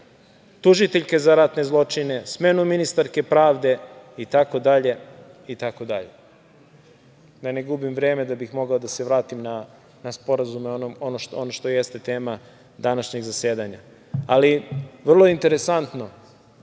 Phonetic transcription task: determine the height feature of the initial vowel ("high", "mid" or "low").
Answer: high